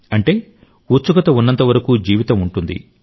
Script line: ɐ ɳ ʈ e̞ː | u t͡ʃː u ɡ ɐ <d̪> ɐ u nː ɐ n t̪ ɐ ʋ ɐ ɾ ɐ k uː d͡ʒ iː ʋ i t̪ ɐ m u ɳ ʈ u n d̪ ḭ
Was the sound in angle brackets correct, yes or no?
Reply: no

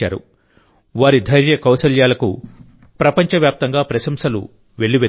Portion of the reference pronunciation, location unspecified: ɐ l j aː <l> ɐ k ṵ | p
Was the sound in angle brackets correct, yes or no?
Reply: yes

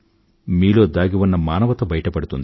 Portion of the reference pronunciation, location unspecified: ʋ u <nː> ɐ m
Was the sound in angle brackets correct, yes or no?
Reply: yes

